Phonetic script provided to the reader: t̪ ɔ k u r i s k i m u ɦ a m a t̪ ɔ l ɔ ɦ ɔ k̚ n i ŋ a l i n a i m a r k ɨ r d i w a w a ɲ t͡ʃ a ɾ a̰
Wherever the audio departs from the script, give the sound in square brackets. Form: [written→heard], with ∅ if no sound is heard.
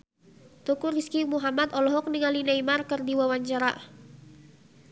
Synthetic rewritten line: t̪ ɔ k u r i s k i m u ɦ a m a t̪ ɔ l ɔ ɦ ɔ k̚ n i ŋ a l i n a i m a r k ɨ r d i w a w a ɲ t͡ʃ a ɾ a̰

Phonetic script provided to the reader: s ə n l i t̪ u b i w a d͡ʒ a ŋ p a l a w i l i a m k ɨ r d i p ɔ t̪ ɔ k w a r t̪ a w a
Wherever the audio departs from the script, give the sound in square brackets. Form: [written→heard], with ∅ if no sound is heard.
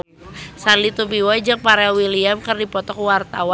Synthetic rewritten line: s [ə→a] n l i t̪ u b i w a d͡ʒ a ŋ p a [l→ɾ] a w i l i a m k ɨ r d i p ɔ t̪ ɔ k w a r t̪ a w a

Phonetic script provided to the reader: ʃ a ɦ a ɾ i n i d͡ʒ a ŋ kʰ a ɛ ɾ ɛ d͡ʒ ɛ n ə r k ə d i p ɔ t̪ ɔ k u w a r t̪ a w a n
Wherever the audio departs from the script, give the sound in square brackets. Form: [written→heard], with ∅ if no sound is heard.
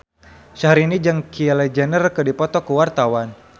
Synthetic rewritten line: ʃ a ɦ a ɾ i n i d͡ʒ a ŋ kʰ [a→i] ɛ [ɾ→l] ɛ d͡ʒ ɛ n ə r k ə d i p ɔ t̪ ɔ k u w a r t̪ a w a n

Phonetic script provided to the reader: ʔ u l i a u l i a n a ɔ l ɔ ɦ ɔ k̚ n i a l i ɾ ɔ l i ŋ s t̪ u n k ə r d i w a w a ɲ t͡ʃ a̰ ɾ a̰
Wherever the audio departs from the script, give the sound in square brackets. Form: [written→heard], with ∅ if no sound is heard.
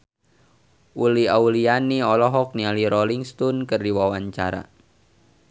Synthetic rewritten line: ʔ u l i a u l i a n [a→i] ɔ l ɔ ɦ ɔ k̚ n i a l i ɾ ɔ l i ŋ s t̪ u n k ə r d i w a w a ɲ t͡ʃ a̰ ɾ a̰

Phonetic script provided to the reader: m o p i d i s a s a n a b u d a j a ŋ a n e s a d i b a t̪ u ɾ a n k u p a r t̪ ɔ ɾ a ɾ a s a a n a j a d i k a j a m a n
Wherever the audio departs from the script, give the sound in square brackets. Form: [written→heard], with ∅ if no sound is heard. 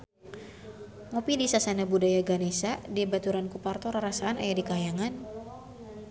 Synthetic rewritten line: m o p i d i s a s a n a b u d a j a [ŋ→ɡ] a n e s a d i b a t̪ u ɾ a n k u p a r t̪ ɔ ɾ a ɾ a s a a n a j a d i k a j a [m→ŋ] a n

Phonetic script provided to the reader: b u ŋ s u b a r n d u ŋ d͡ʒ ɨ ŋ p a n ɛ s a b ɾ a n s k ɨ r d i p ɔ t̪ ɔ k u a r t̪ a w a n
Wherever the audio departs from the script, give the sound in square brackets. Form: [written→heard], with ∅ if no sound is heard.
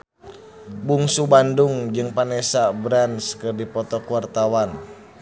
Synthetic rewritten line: b u ŋ s u b a [r→∅] n d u ŋ d͡ʒ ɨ ŋ p a n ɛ s a b ɾ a n s k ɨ r d i p ɔ t̪ ɔ k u a r t̪ a w a n

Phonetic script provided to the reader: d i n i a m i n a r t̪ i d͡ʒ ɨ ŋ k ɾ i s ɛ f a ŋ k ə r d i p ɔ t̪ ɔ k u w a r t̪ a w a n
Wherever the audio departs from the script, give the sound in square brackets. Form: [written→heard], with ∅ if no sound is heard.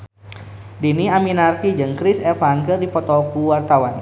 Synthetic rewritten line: d i n i a m i n a r t̪ i d͡ʒ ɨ ŋ k ɾ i s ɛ f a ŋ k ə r d i p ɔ t̪ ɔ k u w a r t̪ a w a n

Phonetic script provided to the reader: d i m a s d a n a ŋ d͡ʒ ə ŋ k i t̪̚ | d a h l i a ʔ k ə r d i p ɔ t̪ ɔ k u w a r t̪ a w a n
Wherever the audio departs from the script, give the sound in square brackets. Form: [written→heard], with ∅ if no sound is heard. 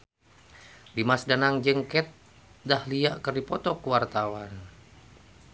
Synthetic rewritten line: d i m a s d a n a ŋ d͡ʒ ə ŋ k [i→ɛ] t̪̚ | d a h l i a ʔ k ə r d i p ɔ t̪ ɔ k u w a r t̪ a w a n

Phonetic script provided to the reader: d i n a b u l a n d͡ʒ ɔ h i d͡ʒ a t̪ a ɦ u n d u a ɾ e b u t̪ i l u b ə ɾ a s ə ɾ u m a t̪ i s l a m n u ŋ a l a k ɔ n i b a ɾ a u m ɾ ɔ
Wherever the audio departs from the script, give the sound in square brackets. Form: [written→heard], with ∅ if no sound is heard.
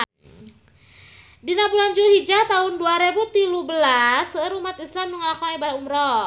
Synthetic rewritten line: d i n a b u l a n d͡ʒ [ɔ→u] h i d͡ʒ a t̪ a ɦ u n d u a ɾ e b u t̪ i l u b ə [ɾ→l] a s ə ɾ u m a t̪ i s l a m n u ŋ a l a k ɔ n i b a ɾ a u m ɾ ɔ

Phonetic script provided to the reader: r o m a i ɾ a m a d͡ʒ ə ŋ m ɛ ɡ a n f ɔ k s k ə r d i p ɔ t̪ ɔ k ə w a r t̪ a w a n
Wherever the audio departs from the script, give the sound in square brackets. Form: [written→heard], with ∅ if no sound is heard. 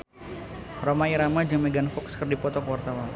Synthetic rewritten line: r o m a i ɾ a m a d͡ʒ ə ŋ m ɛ ɡ a n f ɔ k s k ə r d i p ɔ t̪ ɔ k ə w a r t̪ a w a n

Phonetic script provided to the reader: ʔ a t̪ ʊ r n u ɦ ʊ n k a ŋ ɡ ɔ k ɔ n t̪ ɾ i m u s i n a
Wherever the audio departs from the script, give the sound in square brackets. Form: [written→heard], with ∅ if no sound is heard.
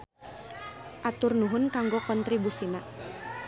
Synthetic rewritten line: ʔ a t̪ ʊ r n u ɦ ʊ n k a ŋ ɡ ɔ k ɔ n t̪ ɾ i [m→b] u s i n a

